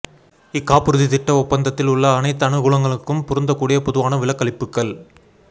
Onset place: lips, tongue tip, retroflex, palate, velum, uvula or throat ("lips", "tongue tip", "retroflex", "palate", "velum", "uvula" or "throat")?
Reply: velum